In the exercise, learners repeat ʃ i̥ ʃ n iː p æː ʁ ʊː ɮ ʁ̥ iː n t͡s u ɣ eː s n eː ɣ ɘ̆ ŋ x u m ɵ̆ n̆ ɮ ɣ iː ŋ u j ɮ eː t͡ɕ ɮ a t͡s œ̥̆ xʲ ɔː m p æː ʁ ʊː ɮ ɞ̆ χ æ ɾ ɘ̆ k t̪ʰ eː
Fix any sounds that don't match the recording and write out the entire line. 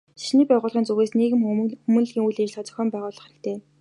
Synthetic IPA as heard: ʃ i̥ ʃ n iː p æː ʁ ʊː ɮ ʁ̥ iː n t͡s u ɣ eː s n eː ɣ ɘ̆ m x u m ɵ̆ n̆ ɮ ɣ iː ŋ u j ɮ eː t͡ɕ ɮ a t͡s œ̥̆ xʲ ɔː m p æː ʁ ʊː ɮ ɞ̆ χ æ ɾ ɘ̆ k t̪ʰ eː